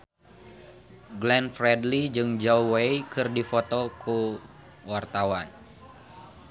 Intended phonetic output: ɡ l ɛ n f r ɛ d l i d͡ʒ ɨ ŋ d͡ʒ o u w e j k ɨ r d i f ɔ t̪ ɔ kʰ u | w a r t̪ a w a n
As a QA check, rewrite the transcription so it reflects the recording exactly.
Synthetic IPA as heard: ɡ l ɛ n f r ɛ d l i d͡ʒ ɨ ŋ d͡ʒ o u w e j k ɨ r d i f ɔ t̪ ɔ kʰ u | w a r t̪ a w a n